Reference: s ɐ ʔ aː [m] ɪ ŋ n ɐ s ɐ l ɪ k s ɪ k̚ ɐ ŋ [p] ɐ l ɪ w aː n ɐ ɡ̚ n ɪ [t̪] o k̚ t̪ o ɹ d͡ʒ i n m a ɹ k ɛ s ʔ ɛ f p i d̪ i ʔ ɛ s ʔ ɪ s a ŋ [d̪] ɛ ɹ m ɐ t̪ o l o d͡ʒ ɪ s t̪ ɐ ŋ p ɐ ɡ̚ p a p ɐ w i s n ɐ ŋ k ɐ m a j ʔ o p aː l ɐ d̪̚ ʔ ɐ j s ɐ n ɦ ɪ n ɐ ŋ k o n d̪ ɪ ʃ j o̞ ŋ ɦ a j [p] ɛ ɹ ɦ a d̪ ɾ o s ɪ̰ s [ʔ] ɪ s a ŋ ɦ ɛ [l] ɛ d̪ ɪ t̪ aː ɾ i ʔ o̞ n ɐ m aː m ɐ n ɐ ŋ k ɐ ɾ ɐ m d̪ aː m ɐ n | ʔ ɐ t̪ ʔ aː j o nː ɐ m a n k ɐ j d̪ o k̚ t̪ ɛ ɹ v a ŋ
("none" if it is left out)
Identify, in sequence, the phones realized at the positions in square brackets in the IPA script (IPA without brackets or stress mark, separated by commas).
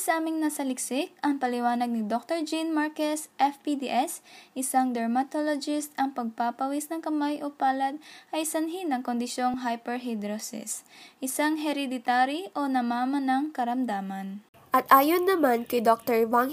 m, p, d̪, d̪, p, ʔ, ɾ